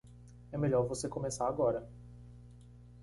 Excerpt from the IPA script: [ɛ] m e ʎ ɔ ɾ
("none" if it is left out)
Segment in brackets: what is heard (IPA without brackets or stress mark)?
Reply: ɛ